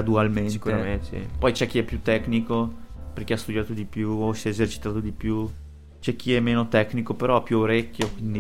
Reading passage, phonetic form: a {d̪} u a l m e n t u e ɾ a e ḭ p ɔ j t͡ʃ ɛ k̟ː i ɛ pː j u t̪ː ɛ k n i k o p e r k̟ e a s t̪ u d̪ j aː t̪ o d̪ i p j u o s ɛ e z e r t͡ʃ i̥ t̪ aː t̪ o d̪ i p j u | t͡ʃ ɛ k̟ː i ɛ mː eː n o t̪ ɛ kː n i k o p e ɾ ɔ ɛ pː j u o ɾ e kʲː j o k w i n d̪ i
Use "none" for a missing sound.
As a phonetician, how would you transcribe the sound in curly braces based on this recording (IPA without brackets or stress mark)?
d̪